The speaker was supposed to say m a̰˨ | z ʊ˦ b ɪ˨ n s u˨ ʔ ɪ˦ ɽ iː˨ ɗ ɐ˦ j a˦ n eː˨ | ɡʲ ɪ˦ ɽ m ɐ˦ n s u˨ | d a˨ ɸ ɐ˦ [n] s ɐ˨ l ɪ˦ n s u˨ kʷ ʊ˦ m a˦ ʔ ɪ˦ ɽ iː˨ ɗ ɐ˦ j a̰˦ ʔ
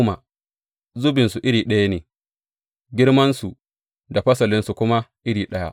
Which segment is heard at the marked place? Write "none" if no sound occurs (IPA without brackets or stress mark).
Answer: none